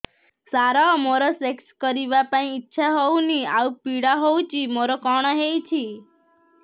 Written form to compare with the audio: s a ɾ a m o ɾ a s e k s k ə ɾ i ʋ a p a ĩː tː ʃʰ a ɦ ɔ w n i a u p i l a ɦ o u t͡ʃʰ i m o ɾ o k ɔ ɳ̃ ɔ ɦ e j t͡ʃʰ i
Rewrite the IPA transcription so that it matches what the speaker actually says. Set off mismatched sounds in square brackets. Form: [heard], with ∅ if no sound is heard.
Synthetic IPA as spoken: s a ɾ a m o ɾ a s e k s k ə ɾ i ʋ a p a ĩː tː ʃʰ a ɦ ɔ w n i a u p i [ɽ] a ɦ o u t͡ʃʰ i m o ɾ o k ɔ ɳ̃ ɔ ɦ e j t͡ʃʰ i